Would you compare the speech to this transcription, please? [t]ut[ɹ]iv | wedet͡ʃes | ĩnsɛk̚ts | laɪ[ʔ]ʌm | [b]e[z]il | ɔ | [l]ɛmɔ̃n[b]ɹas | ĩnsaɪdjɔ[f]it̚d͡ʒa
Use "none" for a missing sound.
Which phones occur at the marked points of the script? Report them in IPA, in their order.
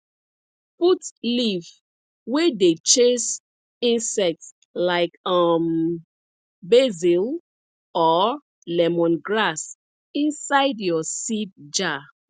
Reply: p, l, k, b, z, l, ɡ, s

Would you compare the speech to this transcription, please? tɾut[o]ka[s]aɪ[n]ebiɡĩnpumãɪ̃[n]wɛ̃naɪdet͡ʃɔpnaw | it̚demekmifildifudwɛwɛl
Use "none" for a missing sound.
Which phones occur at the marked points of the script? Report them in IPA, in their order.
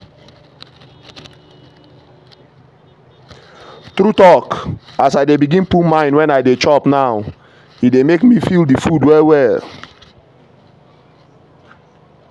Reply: ɔ, s, d, n

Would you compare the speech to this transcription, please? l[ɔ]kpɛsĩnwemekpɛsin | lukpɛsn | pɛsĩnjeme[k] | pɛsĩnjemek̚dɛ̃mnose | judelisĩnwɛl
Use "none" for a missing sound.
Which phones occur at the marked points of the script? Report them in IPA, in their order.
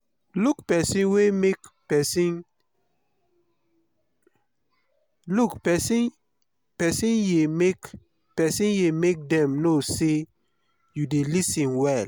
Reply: u, k

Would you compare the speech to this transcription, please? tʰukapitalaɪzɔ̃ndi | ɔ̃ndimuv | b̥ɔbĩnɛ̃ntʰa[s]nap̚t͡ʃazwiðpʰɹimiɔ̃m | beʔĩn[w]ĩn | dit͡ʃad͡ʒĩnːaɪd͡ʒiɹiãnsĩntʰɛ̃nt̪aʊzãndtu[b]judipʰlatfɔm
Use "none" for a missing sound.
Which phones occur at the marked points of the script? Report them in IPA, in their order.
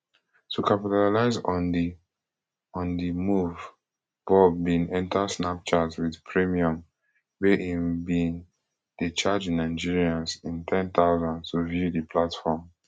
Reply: s, b, v

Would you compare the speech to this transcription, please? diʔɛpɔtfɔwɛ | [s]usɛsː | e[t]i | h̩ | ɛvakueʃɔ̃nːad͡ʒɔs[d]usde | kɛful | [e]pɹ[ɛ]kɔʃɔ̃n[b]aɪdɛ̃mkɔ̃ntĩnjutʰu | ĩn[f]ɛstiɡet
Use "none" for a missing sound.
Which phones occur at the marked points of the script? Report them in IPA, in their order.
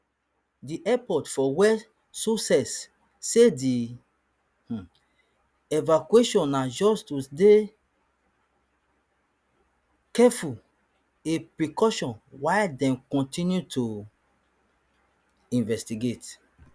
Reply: s, d, t, e, i, w, v

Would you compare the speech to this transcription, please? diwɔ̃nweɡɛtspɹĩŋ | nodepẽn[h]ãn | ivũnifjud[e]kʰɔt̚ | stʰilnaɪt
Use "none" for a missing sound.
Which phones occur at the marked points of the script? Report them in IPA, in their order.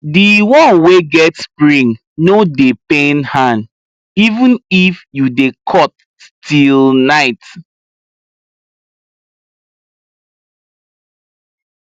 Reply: h, e

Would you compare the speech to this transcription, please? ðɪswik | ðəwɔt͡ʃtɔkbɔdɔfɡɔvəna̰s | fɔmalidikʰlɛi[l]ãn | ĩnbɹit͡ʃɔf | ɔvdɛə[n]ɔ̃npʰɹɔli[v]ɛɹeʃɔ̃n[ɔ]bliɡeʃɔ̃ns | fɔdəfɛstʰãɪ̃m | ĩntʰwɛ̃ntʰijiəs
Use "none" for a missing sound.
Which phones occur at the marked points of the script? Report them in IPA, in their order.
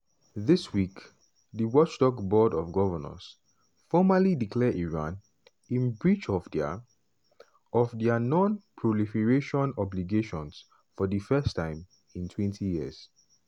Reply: ɹ, n, f, ɔ

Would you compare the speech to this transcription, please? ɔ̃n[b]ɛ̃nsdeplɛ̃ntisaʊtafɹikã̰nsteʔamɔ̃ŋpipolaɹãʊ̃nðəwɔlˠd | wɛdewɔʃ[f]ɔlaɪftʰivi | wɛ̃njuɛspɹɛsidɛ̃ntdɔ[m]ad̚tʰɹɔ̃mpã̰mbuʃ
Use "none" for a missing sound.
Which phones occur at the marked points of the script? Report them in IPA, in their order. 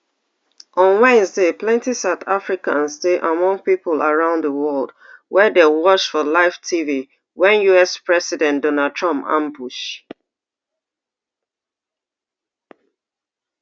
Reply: w, f, n

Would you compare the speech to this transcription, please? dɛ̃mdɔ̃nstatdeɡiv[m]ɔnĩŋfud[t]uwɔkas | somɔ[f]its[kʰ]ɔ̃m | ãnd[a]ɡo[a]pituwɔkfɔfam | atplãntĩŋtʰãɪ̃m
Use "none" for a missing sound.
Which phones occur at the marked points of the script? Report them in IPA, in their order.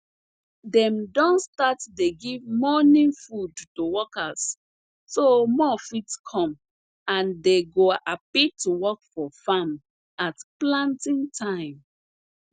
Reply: m, t, f, kʰ, e, a

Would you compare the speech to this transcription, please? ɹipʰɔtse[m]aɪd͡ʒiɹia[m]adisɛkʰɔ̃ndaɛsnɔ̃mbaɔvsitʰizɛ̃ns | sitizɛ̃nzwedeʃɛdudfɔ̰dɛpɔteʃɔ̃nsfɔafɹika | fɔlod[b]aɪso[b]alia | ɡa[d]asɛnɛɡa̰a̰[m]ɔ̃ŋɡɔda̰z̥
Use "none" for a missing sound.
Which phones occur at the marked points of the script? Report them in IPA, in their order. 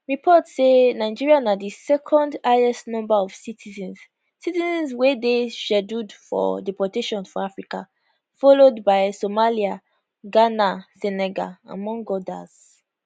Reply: n, n, b, m, n, m

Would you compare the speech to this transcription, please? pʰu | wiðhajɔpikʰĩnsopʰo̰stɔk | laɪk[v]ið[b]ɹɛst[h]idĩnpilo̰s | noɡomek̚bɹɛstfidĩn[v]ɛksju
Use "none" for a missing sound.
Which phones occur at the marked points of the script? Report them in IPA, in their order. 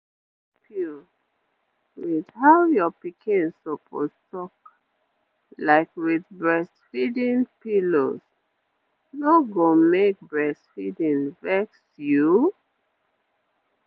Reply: w, b, f, v

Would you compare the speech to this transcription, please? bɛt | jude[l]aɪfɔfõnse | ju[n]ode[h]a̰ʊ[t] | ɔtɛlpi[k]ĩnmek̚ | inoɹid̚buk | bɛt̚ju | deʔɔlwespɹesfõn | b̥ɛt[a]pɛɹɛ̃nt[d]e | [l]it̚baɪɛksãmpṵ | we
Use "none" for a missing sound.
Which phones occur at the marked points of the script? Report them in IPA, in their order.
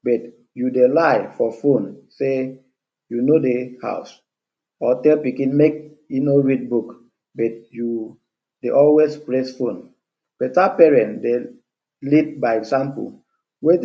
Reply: l, n, h, s, k, a, d, l

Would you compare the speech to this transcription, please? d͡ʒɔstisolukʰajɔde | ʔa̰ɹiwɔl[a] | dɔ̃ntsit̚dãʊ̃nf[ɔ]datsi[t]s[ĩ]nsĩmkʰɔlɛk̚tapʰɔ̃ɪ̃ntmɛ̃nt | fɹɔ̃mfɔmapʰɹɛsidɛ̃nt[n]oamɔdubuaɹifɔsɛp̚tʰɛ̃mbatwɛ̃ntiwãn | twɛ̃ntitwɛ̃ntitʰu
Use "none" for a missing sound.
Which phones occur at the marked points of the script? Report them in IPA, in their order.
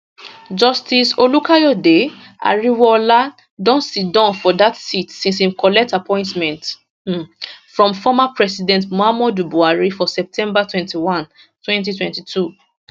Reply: a, ɔ, t, ĩ, m

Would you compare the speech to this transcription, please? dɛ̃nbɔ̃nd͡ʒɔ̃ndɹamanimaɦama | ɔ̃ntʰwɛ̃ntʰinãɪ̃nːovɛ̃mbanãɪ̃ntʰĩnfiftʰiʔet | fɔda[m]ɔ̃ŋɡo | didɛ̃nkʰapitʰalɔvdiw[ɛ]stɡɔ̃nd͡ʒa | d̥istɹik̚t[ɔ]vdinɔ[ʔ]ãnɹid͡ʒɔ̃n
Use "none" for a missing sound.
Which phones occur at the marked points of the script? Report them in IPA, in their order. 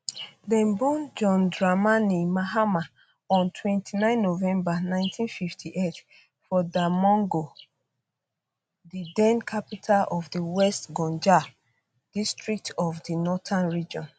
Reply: m, ɛ, ɔ, t

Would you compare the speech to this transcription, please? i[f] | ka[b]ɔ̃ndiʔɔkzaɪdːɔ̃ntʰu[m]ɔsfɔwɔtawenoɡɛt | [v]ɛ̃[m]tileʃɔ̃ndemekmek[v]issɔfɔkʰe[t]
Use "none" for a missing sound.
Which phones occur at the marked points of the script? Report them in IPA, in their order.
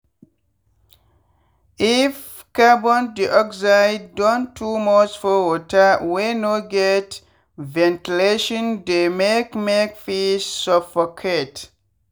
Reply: f, b, m, v, n, f, t

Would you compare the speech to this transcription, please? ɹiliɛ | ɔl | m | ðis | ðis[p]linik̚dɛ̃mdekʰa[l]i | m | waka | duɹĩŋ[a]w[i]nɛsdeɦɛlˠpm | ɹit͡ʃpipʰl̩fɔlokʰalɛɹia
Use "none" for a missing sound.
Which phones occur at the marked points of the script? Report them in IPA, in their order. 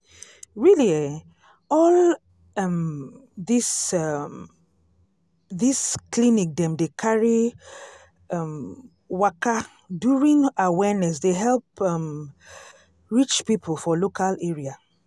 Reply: k, ɹ, a, ɛ

